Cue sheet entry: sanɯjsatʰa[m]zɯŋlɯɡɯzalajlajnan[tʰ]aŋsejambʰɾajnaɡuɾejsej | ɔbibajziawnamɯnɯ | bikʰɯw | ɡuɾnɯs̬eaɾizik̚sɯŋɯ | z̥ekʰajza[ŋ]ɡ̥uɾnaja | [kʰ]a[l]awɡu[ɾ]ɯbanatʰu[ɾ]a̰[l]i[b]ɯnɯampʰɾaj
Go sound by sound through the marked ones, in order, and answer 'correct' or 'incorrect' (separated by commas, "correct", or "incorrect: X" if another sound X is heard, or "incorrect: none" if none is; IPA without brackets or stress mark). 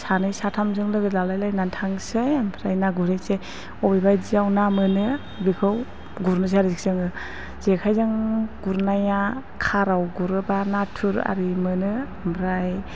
correct, correct, correct, correct, incorrect: ɾ, correct, correct, incorrect: ɾ, incorrect: m